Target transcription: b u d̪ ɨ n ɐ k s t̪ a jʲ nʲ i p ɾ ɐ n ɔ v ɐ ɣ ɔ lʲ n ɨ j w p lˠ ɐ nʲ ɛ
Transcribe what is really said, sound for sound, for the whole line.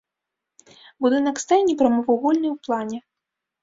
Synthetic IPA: b u d̪ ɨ n ɐ k s t̪ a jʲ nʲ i p ɾ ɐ m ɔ v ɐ ɣ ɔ lʲ n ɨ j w p lˠ a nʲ ɛ